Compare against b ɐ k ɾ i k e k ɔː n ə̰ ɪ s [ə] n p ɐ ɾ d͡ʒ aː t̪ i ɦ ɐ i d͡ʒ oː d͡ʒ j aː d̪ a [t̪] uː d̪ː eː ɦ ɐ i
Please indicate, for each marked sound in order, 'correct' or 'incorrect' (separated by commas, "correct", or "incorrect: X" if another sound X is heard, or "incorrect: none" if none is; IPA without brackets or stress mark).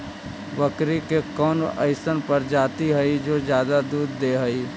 correct, incorrect: d̪